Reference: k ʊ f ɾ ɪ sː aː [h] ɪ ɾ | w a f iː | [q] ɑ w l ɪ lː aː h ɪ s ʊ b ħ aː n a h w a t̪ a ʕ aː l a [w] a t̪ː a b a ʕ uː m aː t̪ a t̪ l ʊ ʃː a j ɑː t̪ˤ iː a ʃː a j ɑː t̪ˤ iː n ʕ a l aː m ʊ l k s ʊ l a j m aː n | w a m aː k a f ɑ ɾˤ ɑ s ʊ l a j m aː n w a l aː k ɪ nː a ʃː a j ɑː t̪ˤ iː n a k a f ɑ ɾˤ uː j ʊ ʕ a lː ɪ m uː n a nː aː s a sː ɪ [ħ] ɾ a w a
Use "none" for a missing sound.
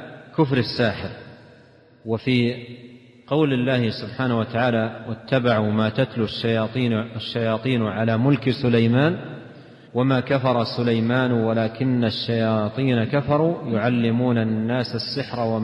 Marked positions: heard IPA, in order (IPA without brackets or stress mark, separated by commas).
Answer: ħ, q, w, ħ